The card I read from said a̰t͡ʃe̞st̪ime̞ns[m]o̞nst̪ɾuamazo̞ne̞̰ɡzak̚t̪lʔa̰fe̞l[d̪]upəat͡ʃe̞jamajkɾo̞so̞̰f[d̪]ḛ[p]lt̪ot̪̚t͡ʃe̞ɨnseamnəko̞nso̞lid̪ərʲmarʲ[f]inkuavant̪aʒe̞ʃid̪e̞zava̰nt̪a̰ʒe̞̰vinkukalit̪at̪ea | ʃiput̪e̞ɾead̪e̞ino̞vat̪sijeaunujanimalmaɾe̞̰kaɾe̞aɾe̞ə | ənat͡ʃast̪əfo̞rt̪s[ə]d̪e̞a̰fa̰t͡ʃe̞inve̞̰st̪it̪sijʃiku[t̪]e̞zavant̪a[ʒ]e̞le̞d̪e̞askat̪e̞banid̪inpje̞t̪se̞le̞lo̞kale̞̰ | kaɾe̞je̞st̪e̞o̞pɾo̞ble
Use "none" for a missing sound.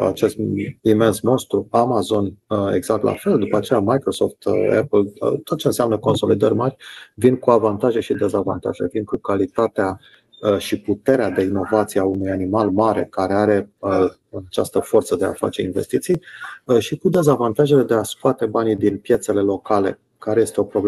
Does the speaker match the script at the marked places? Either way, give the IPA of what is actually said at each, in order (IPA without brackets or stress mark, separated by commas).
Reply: m, d̪, t̪, p, v, ə, d̪, ʒ